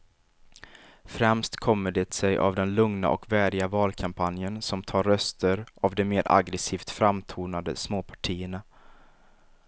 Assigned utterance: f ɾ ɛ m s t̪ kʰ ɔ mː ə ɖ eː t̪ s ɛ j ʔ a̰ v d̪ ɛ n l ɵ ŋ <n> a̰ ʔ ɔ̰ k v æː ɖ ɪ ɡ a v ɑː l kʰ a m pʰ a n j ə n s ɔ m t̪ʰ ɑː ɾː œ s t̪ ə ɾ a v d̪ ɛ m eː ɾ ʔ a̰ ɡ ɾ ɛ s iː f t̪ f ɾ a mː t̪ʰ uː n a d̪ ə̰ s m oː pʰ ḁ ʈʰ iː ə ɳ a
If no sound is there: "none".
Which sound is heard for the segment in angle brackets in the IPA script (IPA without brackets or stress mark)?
n